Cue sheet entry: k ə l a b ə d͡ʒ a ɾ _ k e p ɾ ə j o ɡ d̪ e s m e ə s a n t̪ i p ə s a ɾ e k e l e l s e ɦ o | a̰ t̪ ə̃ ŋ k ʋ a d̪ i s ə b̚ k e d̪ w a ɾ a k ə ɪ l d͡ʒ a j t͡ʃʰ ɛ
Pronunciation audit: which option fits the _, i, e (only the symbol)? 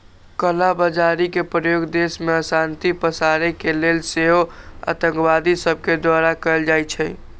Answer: i